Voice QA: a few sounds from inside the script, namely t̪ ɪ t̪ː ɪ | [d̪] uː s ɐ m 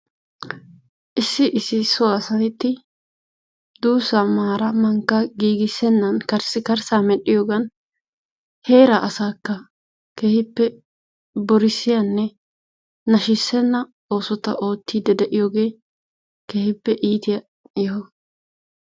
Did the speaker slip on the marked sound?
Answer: no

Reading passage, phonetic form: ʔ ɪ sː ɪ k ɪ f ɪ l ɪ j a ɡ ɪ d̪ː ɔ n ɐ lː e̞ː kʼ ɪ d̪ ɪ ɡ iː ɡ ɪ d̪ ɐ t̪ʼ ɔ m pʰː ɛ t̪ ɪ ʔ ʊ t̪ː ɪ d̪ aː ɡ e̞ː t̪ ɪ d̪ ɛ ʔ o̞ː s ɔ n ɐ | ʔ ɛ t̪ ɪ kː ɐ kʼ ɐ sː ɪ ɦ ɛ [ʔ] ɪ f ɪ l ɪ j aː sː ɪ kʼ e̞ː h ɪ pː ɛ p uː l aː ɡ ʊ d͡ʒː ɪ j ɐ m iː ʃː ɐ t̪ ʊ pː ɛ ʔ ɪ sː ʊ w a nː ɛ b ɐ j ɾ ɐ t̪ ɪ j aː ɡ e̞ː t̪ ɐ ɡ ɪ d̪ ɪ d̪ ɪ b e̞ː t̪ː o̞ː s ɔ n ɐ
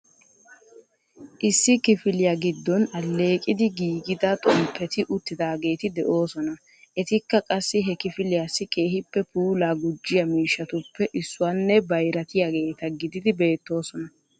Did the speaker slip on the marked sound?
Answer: yes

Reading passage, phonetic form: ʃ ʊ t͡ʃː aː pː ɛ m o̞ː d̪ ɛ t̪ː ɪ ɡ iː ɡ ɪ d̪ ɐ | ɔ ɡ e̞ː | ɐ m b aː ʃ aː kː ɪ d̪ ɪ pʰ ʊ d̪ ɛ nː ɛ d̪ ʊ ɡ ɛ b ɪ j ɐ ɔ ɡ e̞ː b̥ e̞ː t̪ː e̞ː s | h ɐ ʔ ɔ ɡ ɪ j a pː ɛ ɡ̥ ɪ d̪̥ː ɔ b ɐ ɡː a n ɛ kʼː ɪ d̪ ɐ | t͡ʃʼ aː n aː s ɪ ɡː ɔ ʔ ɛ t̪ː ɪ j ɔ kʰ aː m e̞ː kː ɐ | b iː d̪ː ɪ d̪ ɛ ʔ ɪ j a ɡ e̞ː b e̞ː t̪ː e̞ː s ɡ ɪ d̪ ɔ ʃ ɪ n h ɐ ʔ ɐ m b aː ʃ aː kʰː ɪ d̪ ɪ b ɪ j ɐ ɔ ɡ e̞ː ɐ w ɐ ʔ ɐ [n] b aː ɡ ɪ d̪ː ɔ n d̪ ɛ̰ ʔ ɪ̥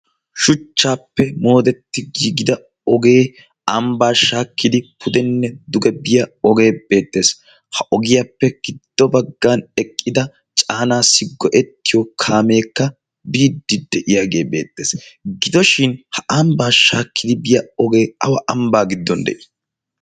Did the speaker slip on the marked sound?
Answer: yes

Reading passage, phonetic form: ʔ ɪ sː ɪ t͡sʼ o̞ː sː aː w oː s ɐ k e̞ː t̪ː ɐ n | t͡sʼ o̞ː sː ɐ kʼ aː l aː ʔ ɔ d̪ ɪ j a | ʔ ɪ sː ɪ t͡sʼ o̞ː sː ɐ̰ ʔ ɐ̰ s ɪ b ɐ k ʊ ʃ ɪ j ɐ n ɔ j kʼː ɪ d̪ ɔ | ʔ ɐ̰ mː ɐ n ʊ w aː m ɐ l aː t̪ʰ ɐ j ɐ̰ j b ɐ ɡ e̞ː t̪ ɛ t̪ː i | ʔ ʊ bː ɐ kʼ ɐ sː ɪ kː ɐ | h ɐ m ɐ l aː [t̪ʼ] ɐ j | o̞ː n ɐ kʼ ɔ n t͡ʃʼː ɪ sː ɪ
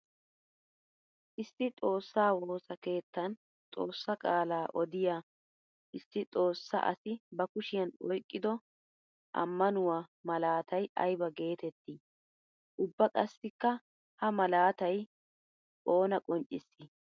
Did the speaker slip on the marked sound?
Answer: yes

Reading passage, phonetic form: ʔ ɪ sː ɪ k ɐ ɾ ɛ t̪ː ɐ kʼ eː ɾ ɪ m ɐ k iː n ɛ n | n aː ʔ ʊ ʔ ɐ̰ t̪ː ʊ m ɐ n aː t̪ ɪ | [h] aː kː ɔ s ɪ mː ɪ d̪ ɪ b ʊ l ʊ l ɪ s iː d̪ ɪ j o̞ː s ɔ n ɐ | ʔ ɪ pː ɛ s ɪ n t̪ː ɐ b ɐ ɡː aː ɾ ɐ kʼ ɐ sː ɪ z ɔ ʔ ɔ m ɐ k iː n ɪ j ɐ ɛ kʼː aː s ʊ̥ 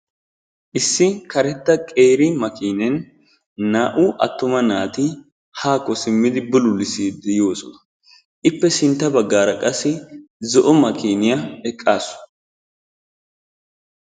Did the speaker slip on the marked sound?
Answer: no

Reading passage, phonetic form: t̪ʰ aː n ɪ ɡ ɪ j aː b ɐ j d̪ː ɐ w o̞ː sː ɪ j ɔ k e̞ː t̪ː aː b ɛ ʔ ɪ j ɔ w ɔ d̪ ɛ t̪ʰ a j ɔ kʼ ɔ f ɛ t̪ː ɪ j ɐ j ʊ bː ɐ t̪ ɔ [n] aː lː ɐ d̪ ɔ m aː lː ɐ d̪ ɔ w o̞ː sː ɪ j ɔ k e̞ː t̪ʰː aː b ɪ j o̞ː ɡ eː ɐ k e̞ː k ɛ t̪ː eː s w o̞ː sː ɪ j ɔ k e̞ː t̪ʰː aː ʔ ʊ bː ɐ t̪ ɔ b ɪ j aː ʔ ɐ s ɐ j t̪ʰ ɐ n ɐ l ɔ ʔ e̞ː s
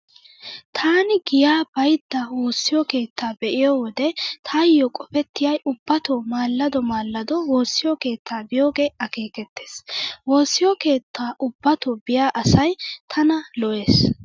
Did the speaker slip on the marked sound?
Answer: yes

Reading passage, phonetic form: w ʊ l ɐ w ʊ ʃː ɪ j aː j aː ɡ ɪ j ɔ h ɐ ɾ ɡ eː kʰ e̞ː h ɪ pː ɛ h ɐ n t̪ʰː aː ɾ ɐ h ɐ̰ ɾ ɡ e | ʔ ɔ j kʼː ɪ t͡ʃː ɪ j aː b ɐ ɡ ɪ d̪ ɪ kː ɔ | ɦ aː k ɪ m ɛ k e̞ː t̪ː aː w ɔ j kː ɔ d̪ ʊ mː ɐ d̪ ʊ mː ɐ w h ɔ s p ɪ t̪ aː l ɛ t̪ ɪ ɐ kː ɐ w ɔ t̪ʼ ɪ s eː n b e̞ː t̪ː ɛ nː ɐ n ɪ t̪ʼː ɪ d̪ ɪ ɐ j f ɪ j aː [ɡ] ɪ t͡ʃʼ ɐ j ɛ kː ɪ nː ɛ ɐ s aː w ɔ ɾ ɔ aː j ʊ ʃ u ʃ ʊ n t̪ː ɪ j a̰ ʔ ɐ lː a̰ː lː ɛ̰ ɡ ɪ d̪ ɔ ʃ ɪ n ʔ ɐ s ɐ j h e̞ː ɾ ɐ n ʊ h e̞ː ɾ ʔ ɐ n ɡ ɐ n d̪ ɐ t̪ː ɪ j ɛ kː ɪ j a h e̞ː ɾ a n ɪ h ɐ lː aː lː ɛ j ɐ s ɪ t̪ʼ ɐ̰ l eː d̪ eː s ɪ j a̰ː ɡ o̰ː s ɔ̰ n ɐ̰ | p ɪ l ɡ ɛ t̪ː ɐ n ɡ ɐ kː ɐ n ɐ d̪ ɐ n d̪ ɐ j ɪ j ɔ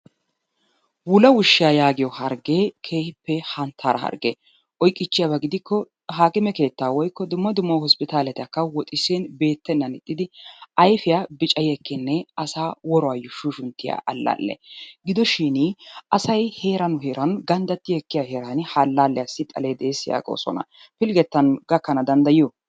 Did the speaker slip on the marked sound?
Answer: yes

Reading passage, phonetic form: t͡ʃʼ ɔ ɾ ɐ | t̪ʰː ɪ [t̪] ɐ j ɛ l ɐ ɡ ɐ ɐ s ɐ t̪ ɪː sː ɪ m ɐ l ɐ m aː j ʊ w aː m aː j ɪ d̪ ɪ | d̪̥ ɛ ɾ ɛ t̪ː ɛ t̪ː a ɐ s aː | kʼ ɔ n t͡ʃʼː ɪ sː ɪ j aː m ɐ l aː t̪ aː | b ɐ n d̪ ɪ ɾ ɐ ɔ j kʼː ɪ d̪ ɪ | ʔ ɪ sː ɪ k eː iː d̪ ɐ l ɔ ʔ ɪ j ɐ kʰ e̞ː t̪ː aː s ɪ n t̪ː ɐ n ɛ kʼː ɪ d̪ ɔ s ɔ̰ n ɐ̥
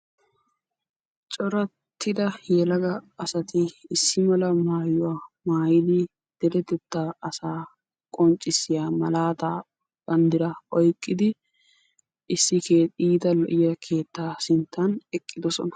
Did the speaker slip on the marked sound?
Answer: yes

